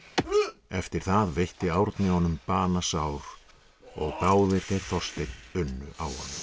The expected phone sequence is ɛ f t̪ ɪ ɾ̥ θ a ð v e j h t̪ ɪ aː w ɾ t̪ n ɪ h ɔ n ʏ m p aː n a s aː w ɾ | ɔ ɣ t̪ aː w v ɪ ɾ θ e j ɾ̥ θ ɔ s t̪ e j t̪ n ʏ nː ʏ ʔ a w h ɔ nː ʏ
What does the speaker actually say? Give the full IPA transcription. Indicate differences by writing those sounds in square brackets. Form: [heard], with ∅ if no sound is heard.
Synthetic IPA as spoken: ɛ f t̪ ɪ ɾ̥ θ a ð v e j h t̪ ɪ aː w ɾ t̪ n ɪ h ɔ n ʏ m p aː n a s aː w ɾ | ɔ ɣ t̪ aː w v ɪ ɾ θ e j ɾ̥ θ ɔ s t̪ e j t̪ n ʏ nː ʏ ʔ a w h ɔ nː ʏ